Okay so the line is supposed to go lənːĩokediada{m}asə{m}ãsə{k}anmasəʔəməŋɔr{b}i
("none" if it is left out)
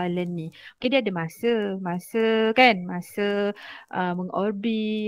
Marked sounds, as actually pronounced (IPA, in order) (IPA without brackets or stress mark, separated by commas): m, m, k, b